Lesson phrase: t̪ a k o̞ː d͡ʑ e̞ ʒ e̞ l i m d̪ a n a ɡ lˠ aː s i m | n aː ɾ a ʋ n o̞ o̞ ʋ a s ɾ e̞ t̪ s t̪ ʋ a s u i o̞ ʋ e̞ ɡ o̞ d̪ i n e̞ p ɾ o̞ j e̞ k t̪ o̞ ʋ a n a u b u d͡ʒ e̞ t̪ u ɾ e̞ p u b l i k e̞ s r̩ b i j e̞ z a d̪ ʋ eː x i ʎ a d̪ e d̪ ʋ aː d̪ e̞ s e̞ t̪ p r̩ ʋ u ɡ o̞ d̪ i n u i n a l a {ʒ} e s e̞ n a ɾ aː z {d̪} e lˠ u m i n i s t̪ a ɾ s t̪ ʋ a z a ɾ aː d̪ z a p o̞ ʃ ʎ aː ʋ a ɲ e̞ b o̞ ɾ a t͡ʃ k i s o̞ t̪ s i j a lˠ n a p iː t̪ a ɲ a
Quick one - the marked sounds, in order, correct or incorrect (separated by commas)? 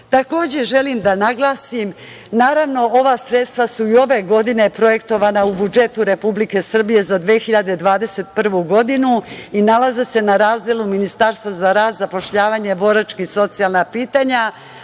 incorrect, correct